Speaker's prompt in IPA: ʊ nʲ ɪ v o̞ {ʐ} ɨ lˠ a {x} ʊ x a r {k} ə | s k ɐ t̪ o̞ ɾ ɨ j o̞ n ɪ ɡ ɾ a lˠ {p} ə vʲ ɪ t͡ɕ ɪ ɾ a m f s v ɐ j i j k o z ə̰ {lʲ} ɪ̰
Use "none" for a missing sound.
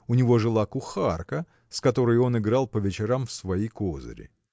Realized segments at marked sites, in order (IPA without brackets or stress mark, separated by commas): ʐ, k, k, p, ɾʲ